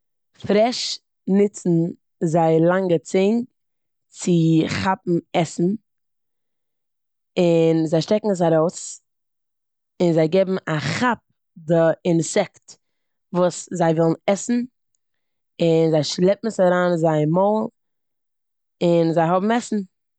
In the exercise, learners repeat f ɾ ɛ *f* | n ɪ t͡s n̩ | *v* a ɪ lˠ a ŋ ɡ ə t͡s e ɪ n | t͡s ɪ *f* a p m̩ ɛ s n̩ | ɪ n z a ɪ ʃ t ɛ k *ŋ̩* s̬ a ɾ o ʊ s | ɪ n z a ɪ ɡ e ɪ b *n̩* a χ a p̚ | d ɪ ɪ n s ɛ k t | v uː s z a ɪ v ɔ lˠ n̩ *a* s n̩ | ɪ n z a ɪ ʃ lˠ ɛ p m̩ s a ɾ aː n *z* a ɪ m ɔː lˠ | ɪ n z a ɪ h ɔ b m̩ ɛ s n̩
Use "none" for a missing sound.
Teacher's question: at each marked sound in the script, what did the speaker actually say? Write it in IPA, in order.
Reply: ʃ, z, χ, ŋ̩, m̩, ɛ, z

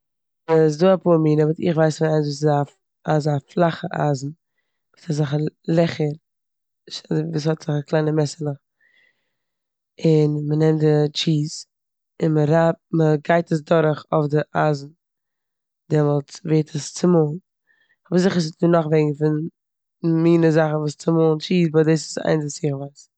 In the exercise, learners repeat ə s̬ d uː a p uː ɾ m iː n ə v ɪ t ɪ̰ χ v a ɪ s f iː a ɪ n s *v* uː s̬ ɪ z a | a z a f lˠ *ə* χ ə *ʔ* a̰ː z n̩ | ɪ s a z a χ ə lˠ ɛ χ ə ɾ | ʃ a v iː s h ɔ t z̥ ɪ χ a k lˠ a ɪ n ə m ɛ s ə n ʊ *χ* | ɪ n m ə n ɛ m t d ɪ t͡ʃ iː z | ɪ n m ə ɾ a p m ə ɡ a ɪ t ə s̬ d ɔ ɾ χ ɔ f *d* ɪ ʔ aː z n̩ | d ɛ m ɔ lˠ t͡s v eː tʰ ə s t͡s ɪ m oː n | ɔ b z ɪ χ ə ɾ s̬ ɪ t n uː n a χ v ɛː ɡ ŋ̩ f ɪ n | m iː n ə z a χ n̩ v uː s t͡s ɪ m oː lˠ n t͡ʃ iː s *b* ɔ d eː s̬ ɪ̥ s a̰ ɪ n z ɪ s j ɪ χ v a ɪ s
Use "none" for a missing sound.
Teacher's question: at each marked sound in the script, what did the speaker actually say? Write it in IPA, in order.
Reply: v, a, ʔ, χ, d, b

